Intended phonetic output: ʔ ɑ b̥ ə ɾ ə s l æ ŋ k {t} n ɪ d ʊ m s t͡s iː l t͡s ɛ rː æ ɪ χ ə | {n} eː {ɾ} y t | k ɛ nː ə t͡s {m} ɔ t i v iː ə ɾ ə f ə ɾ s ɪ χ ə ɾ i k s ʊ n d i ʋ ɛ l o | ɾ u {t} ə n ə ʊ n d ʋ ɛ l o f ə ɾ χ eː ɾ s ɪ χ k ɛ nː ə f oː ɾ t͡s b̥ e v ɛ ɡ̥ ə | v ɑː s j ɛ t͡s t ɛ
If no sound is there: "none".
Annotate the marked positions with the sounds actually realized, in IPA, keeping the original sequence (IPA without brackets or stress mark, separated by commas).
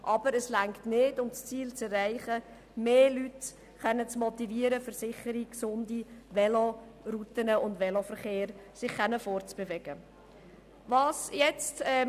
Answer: t, m, l, m, t